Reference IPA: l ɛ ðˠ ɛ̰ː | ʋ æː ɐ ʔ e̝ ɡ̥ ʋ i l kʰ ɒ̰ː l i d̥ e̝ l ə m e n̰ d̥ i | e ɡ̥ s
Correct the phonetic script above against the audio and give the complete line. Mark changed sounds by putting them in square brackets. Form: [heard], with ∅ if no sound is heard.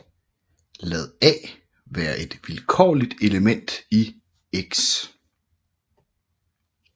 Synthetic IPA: l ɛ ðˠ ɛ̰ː | ʋ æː ɐ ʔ e̝ [d̥] ʋ i l kʰ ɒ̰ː l i d̥ e̝ l ə m e n̰ d̥ i | e ɡ̥ s